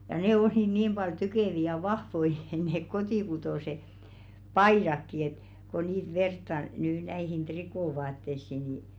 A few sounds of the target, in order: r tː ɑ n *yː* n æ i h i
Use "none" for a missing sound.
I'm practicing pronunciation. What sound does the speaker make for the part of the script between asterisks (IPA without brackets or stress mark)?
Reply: yː